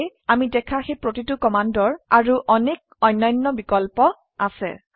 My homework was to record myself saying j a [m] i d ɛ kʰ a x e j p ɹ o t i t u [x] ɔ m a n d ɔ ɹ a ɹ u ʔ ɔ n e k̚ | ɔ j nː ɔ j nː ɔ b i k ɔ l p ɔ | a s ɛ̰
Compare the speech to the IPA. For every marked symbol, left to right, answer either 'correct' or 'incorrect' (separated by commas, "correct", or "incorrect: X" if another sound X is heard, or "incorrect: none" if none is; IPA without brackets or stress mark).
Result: correct, incorrect: k